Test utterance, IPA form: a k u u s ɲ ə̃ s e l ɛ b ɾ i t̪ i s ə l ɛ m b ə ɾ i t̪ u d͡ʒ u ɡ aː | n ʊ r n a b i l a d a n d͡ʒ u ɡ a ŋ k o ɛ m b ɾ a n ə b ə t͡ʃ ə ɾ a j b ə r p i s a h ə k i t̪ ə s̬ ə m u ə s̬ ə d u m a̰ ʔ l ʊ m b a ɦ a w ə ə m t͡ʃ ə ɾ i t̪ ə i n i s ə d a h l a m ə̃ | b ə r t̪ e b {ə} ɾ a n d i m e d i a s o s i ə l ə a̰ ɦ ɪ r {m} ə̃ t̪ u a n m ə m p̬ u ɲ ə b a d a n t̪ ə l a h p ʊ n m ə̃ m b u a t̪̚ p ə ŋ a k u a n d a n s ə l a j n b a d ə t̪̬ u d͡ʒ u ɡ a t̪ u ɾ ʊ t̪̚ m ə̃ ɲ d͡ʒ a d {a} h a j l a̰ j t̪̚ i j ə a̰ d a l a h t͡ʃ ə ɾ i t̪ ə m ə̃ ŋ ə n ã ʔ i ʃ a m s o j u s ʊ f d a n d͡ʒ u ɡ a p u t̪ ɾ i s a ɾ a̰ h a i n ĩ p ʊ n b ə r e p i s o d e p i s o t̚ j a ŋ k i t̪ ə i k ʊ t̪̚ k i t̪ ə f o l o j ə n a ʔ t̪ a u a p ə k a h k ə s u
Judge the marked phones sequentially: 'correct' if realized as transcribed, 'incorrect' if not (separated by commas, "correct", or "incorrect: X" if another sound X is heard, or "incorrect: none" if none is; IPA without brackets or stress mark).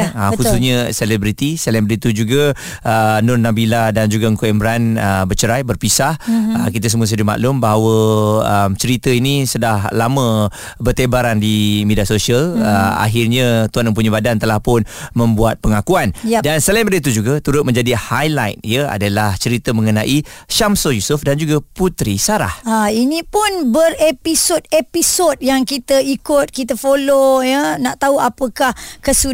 incorrect: a, incorrect: ɲ, incorrect: i